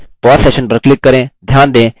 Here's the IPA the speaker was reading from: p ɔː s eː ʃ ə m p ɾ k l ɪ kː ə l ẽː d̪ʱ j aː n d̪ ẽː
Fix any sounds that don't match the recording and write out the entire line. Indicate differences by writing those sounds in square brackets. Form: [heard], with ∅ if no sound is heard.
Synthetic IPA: p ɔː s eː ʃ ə [n] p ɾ k l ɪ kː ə [ɾ] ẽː d̪ʱ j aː n d̪ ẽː